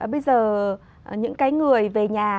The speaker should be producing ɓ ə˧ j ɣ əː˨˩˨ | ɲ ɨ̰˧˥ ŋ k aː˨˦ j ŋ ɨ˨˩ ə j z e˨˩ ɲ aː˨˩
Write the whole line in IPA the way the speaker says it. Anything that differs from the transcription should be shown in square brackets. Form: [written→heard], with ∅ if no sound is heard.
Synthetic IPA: ɓ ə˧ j [ɣ→z] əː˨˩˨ | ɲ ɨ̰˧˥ ŋ k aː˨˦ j ŋ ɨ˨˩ ə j [z→v] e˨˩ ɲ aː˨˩